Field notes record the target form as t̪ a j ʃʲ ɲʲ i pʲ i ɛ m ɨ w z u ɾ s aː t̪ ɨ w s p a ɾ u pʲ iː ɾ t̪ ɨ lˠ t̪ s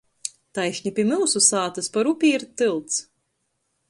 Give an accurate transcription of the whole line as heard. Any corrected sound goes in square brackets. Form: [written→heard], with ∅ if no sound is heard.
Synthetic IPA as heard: t̪ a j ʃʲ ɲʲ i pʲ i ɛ m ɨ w [z→s] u [ɾ→∅] s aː t̪ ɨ [w→∅] s p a ɾ u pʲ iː ɾ t̪ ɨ lˠ t̪ s